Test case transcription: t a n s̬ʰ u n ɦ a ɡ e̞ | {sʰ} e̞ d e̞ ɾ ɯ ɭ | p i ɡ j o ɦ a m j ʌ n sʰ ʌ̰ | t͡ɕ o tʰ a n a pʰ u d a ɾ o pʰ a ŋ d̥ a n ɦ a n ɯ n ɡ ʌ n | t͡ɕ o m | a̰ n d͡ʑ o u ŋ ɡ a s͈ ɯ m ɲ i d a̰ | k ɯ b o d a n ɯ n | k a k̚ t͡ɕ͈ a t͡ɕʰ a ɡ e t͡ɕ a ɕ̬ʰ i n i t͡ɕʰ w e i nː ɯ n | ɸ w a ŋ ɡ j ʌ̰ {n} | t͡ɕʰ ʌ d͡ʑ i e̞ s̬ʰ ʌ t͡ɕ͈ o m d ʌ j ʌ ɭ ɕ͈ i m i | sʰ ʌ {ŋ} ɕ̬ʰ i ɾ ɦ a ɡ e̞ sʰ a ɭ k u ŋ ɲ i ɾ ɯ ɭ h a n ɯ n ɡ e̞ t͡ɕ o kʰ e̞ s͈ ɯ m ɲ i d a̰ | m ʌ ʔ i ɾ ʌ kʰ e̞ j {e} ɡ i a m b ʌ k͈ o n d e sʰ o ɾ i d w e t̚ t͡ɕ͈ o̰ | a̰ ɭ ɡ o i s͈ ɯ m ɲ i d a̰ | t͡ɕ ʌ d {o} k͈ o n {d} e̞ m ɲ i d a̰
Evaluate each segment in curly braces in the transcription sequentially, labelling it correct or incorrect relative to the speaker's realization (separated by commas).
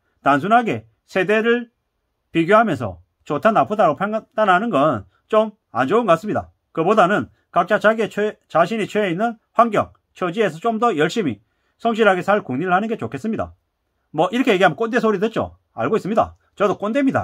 correct, incorrect, correct, correct, correct, correct